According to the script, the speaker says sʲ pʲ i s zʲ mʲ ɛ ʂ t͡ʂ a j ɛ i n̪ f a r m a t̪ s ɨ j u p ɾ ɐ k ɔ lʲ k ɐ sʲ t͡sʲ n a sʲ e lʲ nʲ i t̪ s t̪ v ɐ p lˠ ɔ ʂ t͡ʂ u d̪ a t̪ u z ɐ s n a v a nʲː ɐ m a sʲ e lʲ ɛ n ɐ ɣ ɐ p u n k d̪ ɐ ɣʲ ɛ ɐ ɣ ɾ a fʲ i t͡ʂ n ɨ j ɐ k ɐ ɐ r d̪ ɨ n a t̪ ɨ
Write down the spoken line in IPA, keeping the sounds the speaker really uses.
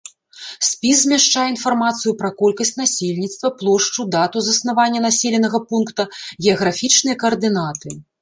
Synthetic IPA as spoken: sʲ pʲ i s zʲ mʲ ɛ ʂ t͡ʂ a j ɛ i n̪ f a r m a t̪ s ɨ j u p ɾ ɐ k ɔ lʲ k ɐ sʲ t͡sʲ n a sʲ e lʲ nʲ i t̪ s t̪ v ɐ p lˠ ɔ ʂ t͡ʂ u d̪ a t̪ u z ɐ s n a v a nʲː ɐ n a sʲ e lʲ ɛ n ɐ ɣ ɐ p u n k t̪ ɐ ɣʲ ɛ ɐ ɣ ɾ a fʲ i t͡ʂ n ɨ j ɐ k ɐ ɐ r d̪ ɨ n a t̪ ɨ